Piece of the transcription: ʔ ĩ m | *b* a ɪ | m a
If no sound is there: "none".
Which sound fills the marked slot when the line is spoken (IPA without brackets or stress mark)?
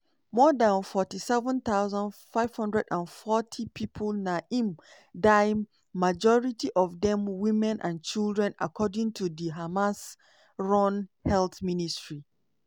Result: d